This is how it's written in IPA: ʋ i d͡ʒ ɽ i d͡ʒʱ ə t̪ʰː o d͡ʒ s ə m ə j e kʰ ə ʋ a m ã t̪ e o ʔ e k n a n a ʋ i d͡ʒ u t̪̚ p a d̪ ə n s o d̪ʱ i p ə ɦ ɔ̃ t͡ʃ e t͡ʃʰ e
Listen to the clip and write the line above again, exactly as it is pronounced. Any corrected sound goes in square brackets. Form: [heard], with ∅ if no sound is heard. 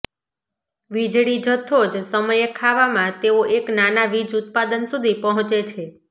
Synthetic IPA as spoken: ʋ i d͡ʒ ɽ i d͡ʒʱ ə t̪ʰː o d͡ʒ s ə m ə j e kʰ [a] ʋ a m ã t̪ e o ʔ e k n a n a ʋ i d͡ʒ u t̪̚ p a d̪ ə n s [u] d̪ʱ i p ə ɦ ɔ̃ t͡ʃ e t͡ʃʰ e